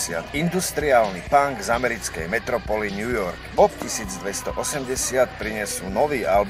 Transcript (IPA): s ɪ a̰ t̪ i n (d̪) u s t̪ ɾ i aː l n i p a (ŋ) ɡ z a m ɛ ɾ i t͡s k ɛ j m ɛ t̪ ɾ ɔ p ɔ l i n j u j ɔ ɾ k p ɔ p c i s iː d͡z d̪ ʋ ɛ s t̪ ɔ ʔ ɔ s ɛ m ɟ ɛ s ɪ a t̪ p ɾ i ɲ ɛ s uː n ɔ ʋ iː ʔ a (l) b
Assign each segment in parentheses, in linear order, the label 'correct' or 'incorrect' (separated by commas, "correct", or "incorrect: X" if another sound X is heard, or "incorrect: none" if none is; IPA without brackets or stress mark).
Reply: correct, correct, correct